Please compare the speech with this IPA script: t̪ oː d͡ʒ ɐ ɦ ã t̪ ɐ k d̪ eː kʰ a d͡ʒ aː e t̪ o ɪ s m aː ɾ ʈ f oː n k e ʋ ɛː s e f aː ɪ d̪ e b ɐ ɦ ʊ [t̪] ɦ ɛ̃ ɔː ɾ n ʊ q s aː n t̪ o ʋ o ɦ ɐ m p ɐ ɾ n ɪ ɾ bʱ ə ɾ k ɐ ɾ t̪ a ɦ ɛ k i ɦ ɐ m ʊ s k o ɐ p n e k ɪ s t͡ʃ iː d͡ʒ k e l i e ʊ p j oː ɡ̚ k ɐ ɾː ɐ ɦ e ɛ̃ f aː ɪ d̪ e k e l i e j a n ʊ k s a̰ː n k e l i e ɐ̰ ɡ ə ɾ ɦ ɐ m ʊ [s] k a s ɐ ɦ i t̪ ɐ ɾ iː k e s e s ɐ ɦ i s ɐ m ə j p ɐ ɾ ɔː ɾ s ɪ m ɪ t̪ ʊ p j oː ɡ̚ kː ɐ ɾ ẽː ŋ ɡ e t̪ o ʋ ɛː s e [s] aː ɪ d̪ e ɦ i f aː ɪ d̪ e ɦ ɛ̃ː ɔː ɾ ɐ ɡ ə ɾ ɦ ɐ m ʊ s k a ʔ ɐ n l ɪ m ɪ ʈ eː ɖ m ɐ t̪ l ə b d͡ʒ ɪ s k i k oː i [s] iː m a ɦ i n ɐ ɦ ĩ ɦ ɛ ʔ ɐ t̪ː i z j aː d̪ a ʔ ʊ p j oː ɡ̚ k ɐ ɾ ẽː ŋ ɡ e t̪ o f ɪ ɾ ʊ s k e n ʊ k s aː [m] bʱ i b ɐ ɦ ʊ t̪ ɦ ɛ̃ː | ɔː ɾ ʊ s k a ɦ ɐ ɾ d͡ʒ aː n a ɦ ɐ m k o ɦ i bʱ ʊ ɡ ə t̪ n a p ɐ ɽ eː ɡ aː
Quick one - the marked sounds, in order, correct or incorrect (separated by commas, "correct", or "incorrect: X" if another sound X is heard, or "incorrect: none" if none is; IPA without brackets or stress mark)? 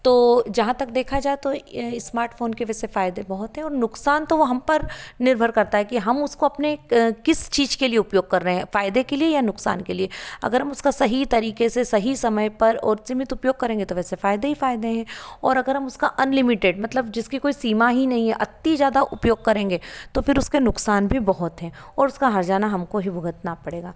correct, correct, incorrect: f, correct, incorrect: n